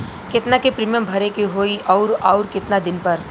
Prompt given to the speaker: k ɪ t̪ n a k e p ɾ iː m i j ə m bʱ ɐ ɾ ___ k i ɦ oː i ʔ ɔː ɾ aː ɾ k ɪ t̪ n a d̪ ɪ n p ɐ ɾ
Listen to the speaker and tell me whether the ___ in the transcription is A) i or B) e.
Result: B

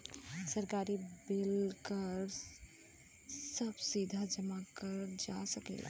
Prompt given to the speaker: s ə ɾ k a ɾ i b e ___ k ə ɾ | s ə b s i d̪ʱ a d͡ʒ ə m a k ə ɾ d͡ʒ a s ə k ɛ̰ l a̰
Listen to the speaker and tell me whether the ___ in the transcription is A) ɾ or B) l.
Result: B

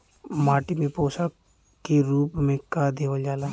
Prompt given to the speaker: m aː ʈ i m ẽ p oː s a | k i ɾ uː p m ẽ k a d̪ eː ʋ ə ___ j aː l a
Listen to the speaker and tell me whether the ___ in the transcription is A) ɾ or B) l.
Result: B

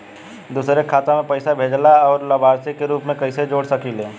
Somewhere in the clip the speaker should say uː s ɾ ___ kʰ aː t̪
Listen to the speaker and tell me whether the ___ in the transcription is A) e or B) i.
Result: A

